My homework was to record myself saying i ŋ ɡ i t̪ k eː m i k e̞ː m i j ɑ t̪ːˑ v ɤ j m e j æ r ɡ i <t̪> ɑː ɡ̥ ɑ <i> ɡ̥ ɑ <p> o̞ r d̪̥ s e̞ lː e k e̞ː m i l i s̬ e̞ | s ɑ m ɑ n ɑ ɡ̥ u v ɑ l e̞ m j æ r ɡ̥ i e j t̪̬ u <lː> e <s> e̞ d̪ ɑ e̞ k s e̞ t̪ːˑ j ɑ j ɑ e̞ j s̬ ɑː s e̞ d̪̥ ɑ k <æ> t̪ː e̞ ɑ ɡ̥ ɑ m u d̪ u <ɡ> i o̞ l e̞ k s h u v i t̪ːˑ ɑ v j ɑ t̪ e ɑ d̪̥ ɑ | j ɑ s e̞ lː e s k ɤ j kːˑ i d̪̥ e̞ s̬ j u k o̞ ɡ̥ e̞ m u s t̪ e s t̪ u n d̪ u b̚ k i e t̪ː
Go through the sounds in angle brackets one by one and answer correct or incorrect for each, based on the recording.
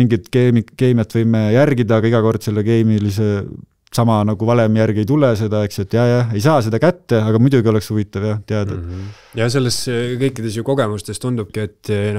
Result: incorrect: d̪, correct, incorrect: k, incorrect: l, correct, correct, correct

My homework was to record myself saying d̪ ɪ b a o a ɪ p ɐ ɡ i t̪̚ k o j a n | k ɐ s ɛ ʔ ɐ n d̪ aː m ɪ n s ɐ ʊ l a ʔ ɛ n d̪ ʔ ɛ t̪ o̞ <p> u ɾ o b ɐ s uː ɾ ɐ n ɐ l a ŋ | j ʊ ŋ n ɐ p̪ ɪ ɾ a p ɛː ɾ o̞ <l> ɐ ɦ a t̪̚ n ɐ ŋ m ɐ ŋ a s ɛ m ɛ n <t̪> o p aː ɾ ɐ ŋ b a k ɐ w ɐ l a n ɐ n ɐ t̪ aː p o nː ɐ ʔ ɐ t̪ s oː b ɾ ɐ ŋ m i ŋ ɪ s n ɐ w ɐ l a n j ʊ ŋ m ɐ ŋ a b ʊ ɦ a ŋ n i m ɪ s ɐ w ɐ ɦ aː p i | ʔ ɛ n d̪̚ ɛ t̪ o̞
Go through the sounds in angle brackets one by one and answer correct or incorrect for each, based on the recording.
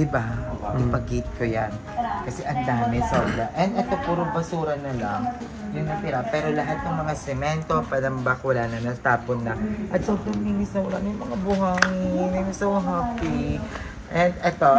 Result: correct, correct, correct

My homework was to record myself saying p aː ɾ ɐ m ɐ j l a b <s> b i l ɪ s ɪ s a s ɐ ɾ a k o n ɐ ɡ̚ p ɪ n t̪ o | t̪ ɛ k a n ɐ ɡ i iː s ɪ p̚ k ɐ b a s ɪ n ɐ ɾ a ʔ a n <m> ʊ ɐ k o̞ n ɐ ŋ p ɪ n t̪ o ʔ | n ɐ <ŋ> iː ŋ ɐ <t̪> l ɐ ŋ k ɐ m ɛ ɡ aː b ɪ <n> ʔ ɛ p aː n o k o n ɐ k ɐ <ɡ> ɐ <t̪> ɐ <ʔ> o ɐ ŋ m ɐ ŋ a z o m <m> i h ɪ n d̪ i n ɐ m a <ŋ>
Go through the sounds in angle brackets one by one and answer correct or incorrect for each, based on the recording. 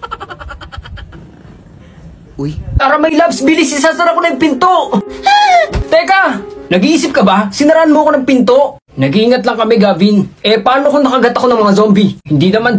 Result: correct, correct, incorrect: ɡ, correct, correct, correct, correct, incorrect: k, incorrect: b, incorrect: n

